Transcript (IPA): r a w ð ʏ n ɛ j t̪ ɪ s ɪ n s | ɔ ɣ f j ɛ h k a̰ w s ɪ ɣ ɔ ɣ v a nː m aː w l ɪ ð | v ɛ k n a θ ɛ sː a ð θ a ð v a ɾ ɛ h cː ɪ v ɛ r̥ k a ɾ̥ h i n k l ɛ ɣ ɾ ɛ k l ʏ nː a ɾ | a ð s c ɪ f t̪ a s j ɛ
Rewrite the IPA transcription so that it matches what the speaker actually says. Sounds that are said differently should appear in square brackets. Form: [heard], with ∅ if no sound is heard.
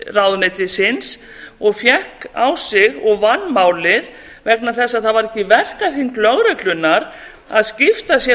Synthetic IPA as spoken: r a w ð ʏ n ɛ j t̪ ɪ s ɪ n s | ɔ ɣ f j ɛ h k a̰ w s ɪ ɣ ɔ ɣ v a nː m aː w l ɪ ð | v ɛ k n a θ ɛ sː a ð θ a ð v a ɾ ɛ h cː ɪ v ɛ r̥ k a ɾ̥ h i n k l [œ] ɣ ɾ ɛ k l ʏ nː a ɾ | a ð s c ɪ f t̪ a s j ɛ